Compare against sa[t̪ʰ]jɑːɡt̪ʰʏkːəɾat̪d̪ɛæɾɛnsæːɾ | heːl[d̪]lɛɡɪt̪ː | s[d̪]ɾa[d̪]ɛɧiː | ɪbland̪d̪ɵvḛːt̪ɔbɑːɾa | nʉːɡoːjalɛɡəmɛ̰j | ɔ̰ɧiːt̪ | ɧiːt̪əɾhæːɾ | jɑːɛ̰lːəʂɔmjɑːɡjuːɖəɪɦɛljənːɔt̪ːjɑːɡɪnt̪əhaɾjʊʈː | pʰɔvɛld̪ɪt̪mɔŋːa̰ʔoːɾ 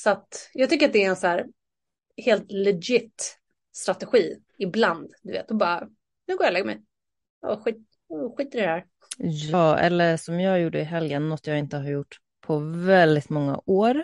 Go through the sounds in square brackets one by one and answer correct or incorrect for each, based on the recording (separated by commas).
incorrect, incorrect, incorrect, incorrect